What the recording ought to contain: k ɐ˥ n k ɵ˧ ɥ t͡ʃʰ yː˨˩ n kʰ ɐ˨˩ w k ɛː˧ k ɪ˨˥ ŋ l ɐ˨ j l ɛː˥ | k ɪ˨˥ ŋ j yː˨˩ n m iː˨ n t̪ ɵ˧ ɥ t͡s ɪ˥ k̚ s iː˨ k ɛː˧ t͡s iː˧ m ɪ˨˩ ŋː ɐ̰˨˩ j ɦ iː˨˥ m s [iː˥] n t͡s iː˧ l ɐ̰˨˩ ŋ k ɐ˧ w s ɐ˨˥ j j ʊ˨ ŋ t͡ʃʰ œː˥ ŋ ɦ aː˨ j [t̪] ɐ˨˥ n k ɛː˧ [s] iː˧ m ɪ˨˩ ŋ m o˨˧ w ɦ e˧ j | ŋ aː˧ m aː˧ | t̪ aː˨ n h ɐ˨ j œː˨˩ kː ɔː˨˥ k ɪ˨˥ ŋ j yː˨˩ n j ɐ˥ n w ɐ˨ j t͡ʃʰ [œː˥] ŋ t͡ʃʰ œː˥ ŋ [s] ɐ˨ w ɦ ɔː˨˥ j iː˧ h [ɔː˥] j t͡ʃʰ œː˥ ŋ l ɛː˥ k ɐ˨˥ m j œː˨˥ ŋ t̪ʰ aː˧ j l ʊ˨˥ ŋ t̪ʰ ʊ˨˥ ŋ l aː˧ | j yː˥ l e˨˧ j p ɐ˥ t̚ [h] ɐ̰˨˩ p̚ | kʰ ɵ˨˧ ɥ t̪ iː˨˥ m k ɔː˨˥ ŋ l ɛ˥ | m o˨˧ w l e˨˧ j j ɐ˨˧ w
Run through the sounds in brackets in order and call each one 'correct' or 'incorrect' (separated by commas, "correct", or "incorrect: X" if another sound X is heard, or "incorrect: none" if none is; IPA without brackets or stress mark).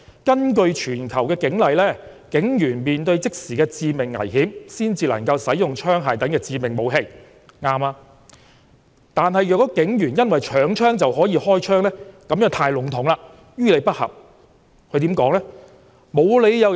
correct, correct, incorrect: t͡s, incorrect: œː˨˥, incorrect: t͡s, correct, correct